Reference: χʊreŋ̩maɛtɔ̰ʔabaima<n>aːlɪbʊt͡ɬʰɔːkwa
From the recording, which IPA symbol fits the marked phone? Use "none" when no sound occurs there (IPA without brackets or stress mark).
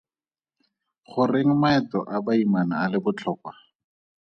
n